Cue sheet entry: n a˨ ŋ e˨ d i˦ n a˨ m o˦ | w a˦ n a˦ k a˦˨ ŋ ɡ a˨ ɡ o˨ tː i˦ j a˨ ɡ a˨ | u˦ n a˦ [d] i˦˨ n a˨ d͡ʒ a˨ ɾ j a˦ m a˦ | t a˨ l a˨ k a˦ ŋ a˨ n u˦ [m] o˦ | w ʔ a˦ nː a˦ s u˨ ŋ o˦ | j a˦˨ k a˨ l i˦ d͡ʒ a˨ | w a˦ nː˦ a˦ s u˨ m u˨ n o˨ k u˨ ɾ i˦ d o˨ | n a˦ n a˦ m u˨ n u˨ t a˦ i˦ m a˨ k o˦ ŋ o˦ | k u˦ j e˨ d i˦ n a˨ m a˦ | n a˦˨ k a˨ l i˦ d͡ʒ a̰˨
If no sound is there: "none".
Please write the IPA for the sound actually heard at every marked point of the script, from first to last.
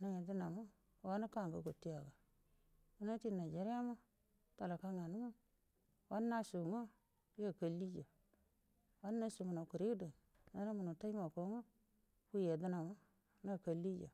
t, m

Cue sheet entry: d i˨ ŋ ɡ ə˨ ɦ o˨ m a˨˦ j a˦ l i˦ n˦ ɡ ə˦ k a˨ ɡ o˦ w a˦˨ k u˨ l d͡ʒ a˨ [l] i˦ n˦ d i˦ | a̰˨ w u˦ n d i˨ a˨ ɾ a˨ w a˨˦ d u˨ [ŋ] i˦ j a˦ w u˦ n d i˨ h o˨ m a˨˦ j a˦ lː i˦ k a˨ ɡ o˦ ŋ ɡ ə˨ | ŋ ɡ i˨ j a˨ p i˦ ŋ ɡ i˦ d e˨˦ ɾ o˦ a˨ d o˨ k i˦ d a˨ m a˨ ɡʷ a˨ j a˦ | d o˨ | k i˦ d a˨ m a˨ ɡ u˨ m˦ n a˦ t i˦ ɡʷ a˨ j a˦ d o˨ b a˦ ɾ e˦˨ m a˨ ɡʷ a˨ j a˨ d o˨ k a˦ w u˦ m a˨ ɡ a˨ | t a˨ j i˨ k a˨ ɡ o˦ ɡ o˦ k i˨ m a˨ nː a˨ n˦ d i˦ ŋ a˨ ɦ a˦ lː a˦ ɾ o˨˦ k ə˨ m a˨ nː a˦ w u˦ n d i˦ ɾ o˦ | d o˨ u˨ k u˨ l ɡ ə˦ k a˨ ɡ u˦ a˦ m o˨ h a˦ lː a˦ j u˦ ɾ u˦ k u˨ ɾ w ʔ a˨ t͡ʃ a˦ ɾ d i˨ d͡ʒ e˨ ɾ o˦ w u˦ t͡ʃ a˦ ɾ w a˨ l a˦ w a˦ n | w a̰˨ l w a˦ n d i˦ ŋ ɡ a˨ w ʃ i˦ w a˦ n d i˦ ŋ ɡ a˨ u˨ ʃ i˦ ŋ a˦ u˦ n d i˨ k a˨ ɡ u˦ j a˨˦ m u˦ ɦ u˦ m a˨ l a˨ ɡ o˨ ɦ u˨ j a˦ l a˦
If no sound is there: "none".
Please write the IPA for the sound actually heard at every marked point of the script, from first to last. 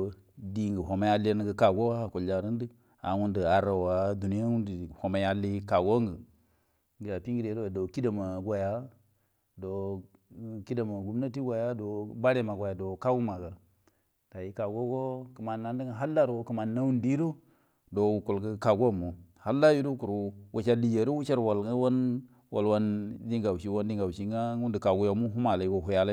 ɾ, n

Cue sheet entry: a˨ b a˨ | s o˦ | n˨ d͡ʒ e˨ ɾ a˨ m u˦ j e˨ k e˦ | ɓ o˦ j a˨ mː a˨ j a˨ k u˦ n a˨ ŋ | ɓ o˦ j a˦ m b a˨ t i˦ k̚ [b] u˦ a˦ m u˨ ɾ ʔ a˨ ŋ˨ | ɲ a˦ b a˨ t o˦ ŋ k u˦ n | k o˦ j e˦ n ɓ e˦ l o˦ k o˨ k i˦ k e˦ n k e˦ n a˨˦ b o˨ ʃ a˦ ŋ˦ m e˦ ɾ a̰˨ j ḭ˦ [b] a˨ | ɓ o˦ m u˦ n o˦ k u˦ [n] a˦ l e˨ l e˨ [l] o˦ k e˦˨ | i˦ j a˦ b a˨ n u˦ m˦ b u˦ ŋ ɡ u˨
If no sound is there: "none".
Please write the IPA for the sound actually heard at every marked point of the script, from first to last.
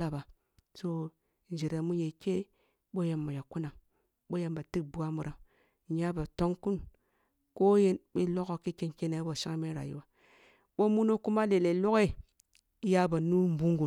b, w, m, l

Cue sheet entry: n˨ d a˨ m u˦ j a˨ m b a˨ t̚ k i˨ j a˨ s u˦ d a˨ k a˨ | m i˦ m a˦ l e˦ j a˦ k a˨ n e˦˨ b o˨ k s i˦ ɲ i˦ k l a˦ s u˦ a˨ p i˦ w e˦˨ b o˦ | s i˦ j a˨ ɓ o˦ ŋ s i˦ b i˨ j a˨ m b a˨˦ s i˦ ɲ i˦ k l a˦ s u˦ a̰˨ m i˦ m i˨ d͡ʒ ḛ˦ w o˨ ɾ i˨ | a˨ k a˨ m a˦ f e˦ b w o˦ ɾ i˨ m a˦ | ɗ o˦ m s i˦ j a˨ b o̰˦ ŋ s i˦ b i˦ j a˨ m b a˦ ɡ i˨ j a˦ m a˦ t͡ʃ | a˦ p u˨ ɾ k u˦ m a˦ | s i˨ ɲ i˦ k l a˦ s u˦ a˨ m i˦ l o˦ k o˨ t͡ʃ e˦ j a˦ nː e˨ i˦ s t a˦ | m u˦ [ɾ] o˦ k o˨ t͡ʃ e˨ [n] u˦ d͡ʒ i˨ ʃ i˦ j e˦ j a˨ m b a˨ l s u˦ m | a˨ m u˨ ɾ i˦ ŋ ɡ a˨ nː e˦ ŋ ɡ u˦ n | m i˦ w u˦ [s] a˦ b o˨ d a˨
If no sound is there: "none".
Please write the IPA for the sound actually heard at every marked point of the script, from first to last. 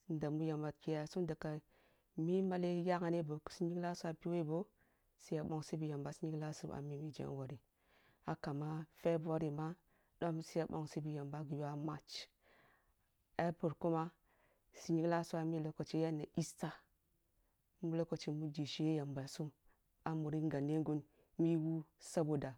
l, m, s

